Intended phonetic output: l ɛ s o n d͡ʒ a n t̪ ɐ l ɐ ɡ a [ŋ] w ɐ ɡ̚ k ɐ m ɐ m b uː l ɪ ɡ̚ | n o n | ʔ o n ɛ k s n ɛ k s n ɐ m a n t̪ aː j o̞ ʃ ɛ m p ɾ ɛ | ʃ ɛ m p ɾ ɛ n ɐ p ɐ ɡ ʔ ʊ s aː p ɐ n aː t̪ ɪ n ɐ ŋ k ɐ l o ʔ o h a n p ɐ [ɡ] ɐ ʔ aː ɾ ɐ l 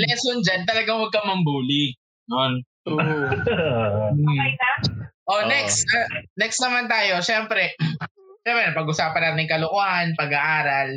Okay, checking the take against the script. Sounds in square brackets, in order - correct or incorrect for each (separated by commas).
correct, correct